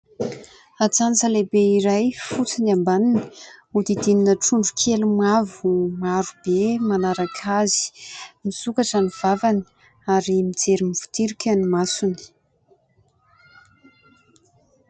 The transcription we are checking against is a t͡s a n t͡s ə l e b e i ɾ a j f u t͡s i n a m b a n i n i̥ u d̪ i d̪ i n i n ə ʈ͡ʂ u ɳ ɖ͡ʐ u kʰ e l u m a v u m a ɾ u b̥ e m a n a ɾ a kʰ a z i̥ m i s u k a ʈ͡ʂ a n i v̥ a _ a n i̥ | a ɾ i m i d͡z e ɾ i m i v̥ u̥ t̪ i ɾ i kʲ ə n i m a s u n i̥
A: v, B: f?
A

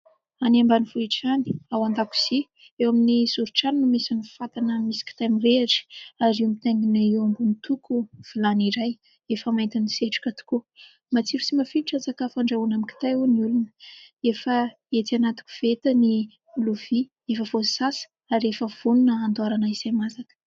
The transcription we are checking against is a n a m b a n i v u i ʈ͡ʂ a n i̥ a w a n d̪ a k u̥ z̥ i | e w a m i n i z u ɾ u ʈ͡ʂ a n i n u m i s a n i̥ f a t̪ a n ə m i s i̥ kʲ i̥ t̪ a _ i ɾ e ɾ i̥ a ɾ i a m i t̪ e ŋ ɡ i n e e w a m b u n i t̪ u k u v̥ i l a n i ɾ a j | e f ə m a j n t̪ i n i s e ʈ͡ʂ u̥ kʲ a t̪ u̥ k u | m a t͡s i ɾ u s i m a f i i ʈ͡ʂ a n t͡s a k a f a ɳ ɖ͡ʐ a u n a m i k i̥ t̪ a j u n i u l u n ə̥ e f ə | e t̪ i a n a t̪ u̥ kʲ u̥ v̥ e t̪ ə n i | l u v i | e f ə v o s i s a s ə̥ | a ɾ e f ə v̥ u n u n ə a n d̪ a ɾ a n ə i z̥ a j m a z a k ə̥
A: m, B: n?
A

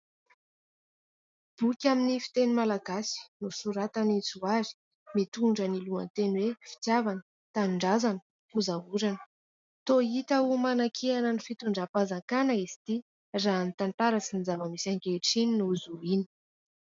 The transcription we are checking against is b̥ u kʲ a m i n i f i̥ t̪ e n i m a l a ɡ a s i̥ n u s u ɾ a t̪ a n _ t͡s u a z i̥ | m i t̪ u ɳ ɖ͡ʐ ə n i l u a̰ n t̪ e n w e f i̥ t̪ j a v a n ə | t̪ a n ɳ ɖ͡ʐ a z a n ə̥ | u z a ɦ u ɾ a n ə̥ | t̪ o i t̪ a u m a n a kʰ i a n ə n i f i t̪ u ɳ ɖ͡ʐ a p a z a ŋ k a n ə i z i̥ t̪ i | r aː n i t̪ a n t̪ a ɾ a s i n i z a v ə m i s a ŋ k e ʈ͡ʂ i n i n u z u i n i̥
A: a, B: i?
B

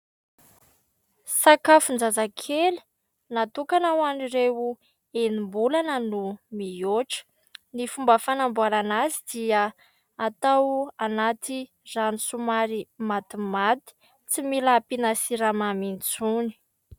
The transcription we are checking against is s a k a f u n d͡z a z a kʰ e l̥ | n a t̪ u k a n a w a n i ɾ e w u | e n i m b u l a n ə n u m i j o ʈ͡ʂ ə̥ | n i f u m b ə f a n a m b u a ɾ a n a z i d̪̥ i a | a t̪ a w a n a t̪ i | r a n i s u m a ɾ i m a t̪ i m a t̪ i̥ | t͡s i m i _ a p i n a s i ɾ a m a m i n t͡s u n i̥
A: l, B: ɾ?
A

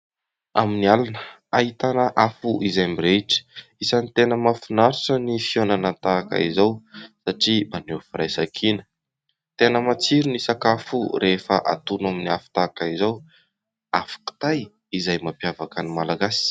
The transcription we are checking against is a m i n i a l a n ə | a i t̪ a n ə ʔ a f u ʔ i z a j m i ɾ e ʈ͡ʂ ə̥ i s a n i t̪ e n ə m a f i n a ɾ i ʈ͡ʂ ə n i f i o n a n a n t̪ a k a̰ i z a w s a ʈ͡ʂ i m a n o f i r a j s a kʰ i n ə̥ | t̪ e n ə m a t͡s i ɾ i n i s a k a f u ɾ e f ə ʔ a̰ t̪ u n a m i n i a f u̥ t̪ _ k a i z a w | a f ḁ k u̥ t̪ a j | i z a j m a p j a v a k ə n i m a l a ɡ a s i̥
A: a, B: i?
A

